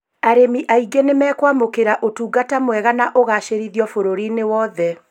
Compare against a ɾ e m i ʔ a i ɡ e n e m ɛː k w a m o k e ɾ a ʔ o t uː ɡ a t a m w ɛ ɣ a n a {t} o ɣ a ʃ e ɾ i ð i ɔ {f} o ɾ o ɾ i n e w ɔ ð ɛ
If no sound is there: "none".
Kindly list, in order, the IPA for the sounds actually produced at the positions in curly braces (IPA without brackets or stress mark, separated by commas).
ʔ, f